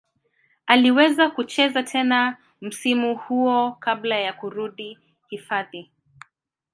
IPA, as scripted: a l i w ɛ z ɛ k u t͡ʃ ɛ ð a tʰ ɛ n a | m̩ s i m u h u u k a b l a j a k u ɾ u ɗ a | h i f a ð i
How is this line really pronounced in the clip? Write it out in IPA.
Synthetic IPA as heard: a l i w ɛ z a k u t͡ʃ ɛ z a tʰ ɛ n a | m̩ s i m u h u ɔ k a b l a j a k u ɾ u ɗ i | h i f a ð i